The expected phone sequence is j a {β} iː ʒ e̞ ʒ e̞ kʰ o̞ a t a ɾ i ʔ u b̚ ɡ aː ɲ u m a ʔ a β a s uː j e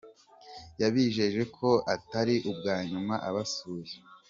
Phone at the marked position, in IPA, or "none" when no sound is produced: β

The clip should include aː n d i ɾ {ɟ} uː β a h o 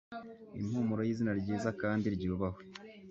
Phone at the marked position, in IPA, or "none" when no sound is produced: ɟ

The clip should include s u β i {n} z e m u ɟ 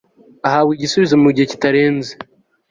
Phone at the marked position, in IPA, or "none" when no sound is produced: none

